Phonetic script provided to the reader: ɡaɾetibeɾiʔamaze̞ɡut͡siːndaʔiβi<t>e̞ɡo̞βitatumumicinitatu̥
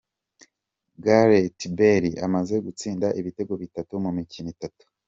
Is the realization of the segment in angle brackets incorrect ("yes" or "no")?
no